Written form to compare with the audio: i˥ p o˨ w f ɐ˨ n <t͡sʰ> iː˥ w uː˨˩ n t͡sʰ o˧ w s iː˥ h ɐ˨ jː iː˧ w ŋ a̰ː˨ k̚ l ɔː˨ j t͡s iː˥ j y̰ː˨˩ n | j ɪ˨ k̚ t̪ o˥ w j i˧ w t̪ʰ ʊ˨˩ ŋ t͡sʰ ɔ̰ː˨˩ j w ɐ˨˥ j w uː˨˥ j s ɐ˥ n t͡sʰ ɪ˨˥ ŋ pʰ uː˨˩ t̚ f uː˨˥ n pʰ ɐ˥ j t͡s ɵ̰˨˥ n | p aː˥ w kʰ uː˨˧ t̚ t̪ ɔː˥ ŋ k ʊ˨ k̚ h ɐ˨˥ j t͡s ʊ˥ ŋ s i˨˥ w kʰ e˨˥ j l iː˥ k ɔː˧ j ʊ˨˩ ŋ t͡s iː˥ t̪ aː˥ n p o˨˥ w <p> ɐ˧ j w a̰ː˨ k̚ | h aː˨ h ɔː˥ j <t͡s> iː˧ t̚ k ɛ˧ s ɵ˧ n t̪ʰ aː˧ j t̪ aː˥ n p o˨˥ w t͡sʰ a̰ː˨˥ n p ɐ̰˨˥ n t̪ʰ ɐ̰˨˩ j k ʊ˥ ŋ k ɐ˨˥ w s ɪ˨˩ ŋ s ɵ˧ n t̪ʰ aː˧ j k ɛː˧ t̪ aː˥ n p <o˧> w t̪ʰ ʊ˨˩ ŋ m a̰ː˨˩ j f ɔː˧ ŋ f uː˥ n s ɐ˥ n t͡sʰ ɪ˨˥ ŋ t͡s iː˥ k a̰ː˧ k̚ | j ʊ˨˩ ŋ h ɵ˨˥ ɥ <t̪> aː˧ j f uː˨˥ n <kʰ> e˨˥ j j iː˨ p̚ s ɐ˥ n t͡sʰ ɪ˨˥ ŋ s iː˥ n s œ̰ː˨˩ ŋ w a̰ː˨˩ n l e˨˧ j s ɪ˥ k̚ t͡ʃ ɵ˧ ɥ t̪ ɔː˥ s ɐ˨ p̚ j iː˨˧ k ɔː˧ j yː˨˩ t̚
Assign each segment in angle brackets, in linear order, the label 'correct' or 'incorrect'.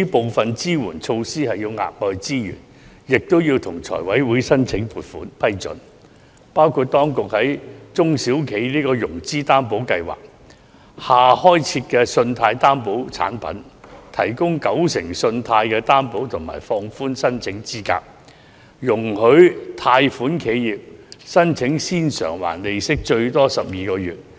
incorrect, incorrect, incorrect, incorrect, incorrect, correct

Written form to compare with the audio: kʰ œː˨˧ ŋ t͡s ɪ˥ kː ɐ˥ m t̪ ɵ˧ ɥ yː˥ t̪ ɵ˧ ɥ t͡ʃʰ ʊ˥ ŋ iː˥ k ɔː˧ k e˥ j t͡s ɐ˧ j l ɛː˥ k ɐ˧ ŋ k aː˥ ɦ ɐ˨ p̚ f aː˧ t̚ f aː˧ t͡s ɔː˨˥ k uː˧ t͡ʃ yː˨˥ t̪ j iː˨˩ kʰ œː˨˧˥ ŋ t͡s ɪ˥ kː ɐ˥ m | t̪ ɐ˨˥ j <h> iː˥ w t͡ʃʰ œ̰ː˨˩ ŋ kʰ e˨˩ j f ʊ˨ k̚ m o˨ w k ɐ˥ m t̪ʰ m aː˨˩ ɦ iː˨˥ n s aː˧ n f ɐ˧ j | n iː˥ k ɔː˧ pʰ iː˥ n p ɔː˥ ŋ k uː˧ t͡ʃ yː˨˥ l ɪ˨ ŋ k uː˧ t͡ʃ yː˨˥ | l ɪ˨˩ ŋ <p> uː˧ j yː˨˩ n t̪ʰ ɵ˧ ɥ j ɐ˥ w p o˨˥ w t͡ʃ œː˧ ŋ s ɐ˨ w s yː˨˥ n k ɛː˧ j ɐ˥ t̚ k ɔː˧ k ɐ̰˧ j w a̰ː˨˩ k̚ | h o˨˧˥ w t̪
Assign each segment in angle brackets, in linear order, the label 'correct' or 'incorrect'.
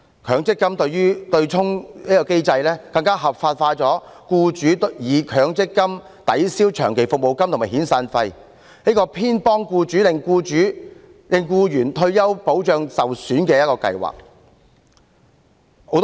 incorrect, incorrect

